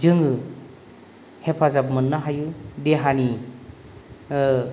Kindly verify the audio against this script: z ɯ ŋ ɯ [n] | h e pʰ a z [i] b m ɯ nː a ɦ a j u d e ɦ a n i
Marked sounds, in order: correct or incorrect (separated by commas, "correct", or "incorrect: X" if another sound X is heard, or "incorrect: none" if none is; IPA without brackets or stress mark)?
incorrect: none, incorrect: a